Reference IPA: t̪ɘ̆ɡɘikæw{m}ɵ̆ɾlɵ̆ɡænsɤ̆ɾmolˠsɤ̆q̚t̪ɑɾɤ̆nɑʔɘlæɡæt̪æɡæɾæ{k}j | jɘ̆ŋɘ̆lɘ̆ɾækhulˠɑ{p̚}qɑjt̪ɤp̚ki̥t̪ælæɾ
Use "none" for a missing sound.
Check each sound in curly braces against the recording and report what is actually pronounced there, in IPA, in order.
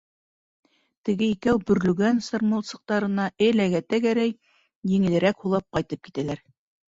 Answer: b, none, p̚

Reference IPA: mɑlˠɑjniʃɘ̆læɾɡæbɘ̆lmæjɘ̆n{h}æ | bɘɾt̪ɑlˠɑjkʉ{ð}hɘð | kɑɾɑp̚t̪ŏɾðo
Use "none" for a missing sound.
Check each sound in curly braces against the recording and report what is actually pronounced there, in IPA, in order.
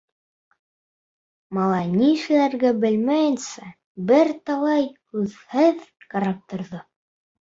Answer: s, ð

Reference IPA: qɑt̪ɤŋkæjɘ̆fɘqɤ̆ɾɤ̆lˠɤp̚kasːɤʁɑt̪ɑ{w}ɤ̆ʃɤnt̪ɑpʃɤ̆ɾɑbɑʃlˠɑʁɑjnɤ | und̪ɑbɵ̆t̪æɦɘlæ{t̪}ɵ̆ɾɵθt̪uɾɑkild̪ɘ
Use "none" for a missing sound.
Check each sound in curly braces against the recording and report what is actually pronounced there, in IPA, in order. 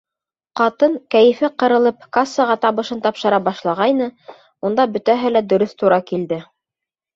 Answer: β, d̪

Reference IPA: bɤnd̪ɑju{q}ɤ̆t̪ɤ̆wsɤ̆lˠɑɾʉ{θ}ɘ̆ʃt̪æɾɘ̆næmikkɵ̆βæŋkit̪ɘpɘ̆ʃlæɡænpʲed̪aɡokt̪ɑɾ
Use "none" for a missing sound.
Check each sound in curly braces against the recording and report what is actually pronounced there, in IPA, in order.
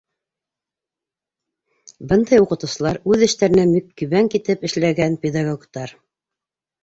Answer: q, ð

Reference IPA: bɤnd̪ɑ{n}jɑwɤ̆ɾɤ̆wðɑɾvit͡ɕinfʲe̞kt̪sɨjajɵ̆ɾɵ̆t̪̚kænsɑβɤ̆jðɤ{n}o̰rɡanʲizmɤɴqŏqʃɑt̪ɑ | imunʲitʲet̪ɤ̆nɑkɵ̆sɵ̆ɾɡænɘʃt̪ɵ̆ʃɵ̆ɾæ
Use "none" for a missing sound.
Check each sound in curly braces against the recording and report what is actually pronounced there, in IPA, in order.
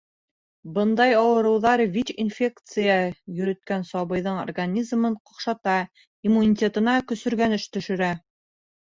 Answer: none, ɴ

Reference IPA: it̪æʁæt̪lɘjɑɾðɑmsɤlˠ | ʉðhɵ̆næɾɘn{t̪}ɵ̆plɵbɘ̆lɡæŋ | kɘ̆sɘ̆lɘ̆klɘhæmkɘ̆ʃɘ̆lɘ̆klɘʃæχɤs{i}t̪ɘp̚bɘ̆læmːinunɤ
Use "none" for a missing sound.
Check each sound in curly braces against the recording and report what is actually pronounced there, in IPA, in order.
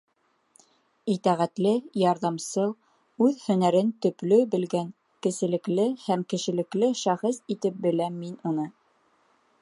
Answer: t̪, i

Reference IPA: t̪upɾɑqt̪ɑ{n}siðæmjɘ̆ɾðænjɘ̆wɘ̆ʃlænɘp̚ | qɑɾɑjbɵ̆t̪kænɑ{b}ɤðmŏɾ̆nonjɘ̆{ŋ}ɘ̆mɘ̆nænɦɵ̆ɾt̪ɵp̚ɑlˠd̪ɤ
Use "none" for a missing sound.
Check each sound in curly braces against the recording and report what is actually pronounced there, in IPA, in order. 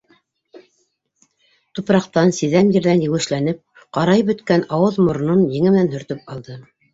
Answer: n, w, ŋ

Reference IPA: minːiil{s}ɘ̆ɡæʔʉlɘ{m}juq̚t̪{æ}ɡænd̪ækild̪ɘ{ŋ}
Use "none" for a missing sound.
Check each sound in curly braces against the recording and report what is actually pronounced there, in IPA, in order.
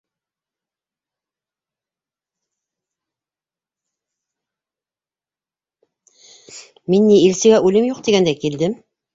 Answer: s, m, i, m

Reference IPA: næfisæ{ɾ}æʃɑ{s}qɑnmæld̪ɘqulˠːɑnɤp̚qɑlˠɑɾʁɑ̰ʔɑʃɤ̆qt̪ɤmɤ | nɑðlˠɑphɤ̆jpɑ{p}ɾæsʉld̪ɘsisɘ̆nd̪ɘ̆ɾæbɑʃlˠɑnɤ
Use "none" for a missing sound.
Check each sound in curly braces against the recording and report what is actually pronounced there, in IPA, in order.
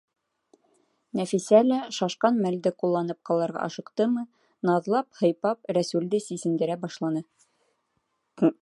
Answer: l, ʃ, p

